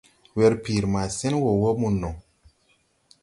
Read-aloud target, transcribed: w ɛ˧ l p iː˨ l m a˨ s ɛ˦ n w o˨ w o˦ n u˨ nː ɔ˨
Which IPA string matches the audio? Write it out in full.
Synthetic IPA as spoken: w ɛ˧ ɾ p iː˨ ɾ m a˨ s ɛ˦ n w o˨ w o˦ m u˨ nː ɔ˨